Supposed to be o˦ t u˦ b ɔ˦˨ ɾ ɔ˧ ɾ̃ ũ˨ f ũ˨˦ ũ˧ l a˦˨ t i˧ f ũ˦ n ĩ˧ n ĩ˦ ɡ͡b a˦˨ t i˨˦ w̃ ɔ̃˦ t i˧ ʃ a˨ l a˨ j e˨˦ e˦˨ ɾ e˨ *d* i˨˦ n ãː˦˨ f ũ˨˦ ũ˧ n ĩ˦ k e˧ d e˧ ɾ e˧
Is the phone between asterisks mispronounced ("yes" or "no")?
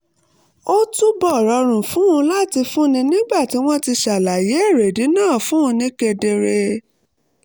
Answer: no